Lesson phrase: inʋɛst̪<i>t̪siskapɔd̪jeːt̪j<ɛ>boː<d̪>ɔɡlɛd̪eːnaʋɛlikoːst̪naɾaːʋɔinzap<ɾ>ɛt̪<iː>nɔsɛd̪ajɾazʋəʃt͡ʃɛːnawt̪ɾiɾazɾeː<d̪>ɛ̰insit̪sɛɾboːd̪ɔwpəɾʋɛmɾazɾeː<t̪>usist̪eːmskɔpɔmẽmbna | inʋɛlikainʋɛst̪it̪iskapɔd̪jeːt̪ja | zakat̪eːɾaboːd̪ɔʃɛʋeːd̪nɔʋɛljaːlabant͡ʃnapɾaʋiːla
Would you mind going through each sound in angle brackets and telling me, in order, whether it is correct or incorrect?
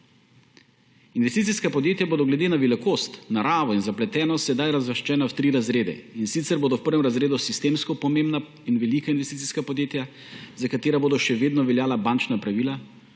correct, incorrect: a, correct, incorrect: l, incorrect: ɛː, correct, incorrect: d̪

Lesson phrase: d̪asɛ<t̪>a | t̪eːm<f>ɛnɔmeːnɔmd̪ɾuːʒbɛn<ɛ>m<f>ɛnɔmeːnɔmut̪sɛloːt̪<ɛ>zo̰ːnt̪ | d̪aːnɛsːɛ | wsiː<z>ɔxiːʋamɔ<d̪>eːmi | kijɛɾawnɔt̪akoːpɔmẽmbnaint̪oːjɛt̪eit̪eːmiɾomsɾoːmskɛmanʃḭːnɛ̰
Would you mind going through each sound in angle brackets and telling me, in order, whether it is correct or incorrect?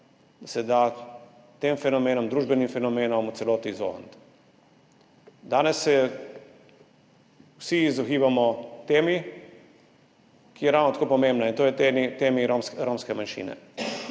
incorrect: d̪, correct, incorrect: i, correct, incorrect: i, correct, incorrect: t̪

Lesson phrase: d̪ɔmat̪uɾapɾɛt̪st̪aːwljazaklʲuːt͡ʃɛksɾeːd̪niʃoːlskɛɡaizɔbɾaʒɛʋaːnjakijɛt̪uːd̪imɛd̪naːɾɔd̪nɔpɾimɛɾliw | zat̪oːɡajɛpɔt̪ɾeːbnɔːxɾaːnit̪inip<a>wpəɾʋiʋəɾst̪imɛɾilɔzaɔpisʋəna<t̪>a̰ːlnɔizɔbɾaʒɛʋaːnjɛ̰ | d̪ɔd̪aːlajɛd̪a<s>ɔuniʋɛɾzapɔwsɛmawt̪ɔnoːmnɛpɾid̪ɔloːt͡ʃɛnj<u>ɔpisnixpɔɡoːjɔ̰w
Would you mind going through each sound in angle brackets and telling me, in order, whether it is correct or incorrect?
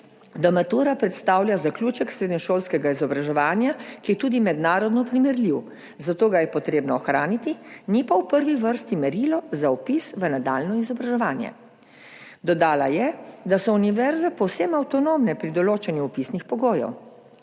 correct, incorrect: d̪, correct, correct

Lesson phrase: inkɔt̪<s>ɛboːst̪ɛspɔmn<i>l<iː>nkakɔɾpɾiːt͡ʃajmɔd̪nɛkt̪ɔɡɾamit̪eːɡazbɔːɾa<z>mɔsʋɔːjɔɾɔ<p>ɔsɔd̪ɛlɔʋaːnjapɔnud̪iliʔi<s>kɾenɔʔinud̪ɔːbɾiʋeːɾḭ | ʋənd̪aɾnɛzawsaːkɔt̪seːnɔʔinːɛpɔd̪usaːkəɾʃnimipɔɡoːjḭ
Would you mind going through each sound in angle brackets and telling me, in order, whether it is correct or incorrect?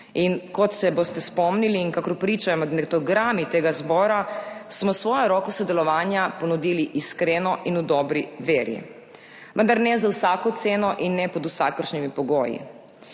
correct, correct, correct, incorrect: s, incorrect: k, correct

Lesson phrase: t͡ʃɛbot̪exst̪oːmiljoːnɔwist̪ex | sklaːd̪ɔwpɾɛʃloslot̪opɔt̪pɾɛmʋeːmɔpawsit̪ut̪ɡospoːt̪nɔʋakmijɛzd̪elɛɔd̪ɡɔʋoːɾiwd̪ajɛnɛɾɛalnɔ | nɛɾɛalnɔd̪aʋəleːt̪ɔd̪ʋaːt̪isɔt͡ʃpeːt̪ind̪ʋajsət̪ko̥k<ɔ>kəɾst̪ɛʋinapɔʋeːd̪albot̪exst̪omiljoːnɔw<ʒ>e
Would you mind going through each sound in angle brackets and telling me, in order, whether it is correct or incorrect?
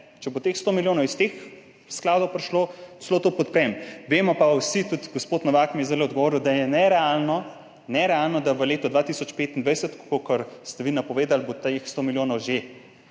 incorrect: o, correct

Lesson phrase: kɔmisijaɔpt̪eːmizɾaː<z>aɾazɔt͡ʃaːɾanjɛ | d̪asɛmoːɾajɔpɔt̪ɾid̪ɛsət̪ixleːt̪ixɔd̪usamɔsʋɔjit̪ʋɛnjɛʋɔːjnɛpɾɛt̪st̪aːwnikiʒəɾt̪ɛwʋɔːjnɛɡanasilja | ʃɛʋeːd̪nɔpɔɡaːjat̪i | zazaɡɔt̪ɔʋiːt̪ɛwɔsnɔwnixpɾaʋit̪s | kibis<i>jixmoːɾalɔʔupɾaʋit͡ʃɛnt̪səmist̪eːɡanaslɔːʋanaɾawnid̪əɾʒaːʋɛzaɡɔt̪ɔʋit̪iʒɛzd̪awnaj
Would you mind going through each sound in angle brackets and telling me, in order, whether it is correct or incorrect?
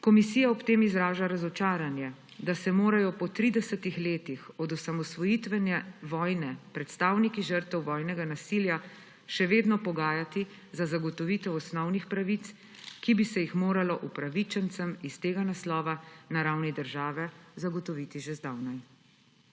incorrect: ʒ, incorrect: ɛ

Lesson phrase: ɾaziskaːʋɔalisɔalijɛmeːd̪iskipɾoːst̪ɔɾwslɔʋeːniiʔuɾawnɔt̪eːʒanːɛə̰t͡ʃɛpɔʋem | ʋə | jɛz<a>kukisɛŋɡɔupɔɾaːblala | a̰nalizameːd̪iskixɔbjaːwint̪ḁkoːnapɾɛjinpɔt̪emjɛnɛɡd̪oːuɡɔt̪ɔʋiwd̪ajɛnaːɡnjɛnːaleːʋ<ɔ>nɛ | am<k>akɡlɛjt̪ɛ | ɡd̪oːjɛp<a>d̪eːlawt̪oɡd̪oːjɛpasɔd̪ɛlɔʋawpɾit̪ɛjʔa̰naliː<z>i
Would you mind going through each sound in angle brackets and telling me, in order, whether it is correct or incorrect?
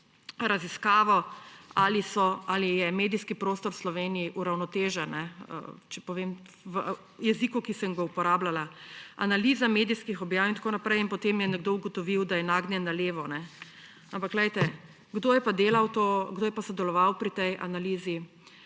incorrect: i, correct, incorrect: p, correct, correct

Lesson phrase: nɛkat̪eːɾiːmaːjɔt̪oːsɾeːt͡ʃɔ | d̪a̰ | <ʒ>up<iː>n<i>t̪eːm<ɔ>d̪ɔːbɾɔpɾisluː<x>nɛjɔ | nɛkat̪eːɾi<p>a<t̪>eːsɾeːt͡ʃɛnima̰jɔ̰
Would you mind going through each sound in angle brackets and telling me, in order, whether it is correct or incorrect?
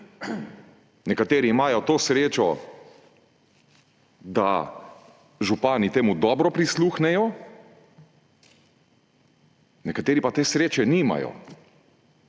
correct, incorrect: aː, correct, incorrect: u, correct, correct, correct

